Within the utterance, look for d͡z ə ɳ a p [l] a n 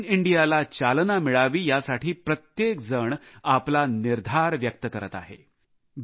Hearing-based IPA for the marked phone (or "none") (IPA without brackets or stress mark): l